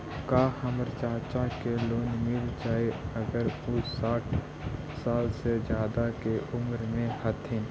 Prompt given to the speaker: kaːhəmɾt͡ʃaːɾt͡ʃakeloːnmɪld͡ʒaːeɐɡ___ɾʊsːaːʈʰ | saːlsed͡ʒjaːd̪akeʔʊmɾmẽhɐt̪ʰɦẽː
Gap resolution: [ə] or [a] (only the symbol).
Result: ə